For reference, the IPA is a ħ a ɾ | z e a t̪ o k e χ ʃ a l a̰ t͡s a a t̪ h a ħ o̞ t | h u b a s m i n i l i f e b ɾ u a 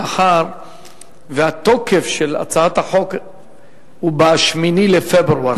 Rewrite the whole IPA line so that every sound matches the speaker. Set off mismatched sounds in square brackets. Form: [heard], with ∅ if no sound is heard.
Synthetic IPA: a ħ a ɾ | [v] e a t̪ o k e [f] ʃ [e] l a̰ t͡s a a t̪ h a ħ o̞ [k] | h u b a [ʃ] m i n i l [e] f e b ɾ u a

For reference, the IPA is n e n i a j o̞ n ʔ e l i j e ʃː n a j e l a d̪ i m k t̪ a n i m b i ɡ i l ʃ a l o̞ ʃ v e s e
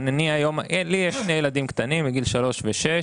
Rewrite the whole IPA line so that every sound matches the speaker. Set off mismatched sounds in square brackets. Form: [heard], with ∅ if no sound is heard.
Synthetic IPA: n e n i a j o̞ [m] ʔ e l i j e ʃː n [e] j e l a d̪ i m k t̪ a n i m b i ɡ i l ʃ a l o̞ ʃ v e [ʃ] e

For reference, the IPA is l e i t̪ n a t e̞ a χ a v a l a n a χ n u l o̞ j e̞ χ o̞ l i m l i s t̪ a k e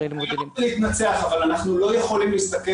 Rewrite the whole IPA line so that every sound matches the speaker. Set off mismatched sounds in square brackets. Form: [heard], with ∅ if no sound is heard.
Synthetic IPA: l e i t̪ n a [t͡s] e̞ a χ a v a l a n a χ n u l o̞ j e̞ χ o̞ l i m l i s t̪ a k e

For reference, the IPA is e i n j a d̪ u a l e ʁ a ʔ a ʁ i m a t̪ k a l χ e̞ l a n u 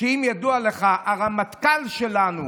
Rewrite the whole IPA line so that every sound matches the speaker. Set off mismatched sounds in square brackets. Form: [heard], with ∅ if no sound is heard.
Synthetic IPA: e i [m] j a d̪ u a l e [χ] a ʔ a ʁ [a] m a t̪ k a l [ʃ] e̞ l a n u

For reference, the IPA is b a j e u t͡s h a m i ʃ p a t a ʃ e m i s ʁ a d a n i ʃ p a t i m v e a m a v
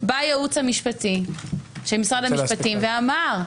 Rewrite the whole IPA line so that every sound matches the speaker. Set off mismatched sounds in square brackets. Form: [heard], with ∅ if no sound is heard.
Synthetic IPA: b a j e u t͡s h a m i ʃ p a t [i] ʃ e m i s ʁ a d a [m] i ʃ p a t i m v e a m a [ʁ]

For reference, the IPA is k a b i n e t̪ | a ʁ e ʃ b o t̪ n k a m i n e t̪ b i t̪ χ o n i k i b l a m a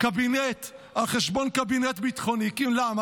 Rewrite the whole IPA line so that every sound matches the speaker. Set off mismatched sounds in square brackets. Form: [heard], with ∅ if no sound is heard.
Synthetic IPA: k a b i n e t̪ | a [χ] e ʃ b o [∅] n k a [b] i n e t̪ b i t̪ χ o n i k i [m] l a m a

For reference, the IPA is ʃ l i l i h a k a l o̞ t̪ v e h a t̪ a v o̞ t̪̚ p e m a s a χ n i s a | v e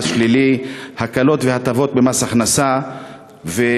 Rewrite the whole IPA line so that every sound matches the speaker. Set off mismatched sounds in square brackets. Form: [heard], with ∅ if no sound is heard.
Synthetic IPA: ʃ l i l i h a k a l o̞ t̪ v e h a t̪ a v o̞ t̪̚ [b] e m a s a χ n [a] s a | v e

